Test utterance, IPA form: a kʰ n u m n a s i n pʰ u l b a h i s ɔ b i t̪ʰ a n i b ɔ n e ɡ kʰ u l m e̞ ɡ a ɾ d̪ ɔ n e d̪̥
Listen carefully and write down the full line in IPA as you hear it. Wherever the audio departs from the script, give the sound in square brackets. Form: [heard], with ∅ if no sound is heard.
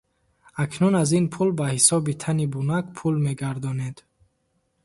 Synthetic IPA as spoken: a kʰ n u [∅] n a [z] i n pʰ u l b a h i s ɔ b i t̪ʰ a n i b [u] n [a] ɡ [pʰ] u l m e̞ ɡ a ɾ d̪ ɔ n e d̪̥